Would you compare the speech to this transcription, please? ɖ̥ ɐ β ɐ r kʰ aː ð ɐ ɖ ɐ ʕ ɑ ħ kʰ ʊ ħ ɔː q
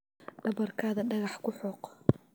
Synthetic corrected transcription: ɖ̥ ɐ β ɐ r kʰ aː ð ɐ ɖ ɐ ɣ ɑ ħ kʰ ʊ ħ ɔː q